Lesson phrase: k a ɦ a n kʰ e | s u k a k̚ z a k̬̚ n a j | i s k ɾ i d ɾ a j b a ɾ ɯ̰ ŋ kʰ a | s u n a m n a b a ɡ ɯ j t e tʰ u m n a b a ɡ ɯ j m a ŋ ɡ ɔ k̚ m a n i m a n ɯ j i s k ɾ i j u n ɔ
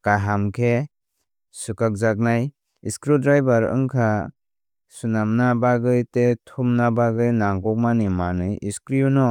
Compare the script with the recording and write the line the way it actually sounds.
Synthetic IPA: k a ɦ a m kʰ e | s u k a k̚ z a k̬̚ n a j | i s k ɾ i d ɾ a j b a ɾ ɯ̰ ŋ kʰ a | s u n a m n a b a ɡ ɯ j t e tʰ u m n a b a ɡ ɯ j n a ŋ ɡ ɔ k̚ m a n i m a n ɯ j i s k ɾ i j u n ɔ